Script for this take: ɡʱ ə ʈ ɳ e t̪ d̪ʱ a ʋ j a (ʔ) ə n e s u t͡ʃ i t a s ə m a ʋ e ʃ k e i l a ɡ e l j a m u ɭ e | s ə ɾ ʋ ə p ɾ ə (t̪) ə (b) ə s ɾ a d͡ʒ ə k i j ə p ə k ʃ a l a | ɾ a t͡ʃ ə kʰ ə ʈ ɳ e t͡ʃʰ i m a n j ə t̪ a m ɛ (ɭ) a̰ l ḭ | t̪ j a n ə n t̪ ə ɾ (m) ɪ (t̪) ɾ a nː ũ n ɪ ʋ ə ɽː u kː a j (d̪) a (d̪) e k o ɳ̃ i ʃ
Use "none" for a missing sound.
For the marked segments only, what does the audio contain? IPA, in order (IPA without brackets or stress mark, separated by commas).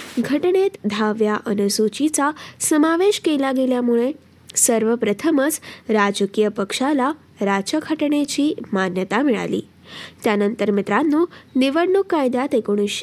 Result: ʔ, t̪ʰ, m, ɭ, m, t̪, d̪, t̪